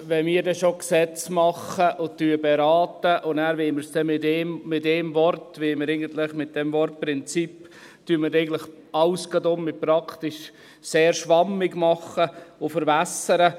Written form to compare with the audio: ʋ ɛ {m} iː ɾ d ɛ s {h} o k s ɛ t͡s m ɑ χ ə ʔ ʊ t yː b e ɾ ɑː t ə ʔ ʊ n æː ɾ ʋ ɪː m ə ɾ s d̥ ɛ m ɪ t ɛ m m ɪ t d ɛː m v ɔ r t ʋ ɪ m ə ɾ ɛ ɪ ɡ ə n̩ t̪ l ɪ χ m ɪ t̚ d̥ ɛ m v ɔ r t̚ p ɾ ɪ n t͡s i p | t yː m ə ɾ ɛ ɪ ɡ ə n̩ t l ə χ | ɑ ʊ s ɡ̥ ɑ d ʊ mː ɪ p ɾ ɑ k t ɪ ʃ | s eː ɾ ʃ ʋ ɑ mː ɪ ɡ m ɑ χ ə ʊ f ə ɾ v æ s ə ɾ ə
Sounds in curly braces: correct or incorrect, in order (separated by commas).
correct, incorrect